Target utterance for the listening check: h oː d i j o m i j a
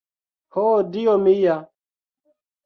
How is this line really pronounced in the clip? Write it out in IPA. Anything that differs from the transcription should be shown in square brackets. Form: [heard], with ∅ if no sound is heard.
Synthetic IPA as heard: h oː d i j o m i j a

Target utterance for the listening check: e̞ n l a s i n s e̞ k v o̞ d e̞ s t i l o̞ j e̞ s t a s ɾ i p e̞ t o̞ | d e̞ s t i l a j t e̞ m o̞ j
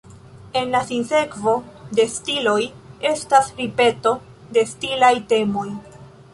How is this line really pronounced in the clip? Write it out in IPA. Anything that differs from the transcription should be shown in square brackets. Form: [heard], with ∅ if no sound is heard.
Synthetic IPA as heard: e̞ n l a s i n s e̞ k v o̞ d e̞ s t i l o̞ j e̞ s t a s ɾ i p e̞ t o̞ | d e̞ s t i l a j t e̞ m o̞ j

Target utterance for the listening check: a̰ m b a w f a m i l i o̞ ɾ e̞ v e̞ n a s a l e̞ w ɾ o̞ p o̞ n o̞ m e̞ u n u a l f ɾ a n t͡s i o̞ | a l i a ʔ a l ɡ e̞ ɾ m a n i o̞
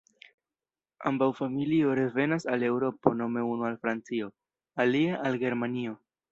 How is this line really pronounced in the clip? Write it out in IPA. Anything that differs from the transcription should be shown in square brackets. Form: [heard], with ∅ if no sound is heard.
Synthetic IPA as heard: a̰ m b a w f a m i l i o̞ ɾ e̞ v e̞ n a s a l e̞ w ɾ o̞ p o̞ n o̞ m e̞ u n u a l f ɾ a n t͡s i o̞ | a l i a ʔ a l ɡ e̞ ɾ m a n i o̞

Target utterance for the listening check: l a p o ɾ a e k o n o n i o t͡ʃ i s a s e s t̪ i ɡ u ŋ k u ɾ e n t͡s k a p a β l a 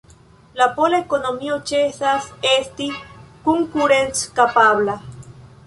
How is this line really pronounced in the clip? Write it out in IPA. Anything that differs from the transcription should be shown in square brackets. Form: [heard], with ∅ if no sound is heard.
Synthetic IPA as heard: l a p o [l] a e k o n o [m] i o t͡ʃ [e] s a s e s t̪ i [k] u ŋ k u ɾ e n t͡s k a p a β l a

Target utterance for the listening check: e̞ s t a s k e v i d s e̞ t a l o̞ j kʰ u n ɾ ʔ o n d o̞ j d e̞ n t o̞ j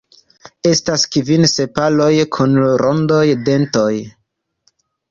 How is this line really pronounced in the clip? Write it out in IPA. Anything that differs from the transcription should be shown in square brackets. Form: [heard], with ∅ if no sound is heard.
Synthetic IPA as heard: e̞ s t a s k [i] v i [n] s e̞ [p] a l o̞ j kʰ u n ɾ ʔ o n d o̞ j d e̞ n t o̞ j

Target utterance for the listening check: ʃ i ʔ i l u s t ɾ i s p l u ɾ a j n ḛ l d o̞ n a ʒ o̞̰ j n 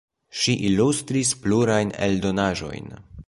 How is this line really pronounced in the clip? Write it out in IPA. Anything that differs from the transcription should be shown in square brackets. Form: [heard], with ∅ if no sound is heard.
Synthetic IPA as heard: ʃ i ʔ i l u s t ɾ i s p l u ɾ a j n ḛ l d o̞ n a ʒ o̞̰ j n

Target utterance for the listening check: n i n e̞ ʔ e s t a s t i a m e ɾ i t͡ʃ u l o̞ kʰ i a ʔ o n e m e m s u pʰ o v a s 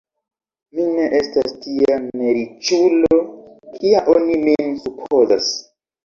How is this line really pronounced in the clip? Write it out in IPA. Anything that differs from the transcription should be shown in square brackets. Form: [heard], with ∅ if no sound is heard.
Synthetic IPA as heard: [m] i n e̞ ʔ e s t a s t i a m e ɾ i t͡ʃ u l o̞ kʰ i a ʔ o n [i] m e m s u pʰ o [z] a s

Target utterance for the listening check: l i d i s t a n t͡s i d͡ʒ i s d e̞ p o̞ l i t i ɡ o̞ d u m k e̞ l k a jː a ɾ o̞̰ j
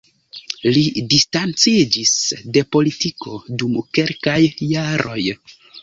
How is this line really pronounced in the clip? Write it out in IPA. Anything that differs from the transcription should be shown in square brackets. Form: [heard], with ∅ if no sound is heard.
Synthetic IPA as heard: l i d i s t a n t͡s i d͡ʒ i s d e̞ p o̞ l i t i [k] o̞ d u m k e̞ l k a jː a ɾ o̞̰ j

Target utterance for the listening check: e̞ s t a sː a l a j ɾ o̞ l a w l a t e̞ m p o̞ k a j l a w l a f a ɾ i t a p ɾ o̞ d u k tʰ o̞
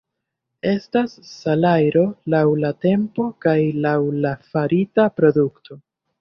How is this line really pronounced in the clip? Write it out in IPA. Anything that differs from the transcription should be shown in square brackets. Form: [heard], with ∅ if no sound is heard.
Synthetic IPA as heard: e̞ s t a sː a l a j ɾ o̞ l a w l a t e̞ m p o̞ k a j l a w l a f a ɾ i t a p ɾ o̞ d u k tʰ o̞

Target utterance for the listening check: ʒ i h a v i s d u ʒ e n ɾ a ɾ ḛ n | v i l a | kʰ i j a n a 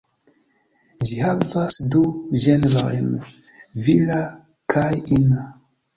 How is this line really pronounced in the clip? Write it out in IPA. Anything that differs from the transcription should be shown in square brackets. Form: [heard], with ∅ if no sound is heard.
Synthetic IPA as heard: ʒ i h a v [a] s d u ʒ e n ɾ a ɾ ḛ n | v i l a | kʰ [a] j [i] n a

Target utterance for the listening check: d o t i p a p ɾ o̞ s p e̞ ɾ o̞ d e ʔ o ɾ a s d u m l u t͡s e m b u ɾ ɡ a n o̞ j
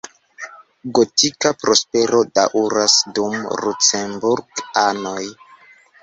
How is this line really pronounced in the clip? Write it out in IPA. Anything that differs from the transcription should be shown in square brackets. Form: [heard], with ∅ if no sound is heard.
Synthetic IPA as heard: [ɡ] o t i [k] a p ɾ o̞ s p e̞ ɾ o̞ d [a] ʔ [u] ɾ a s d u m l u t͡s e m b u ɾ ɡ a n o̞ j

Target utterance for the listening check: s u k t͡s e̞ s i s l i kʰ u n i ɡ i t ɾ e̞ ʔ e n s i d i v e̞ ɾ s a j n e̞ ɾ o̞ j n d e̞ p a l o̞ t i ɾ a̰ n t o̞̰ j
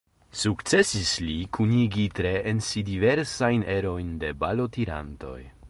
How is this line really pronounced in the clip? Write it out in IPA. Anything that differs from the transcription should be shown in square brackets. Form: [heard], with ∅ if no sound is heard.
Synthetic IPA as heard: s u k t͡s e̞ s i s l i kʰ u n i ɡ i t ɾ e̞ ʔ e n s i d i v e̞ ɾ s a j n e̞ ɾ o̞ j n d e̞ [b] a l o̞ t i ɾ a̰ n t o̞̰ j

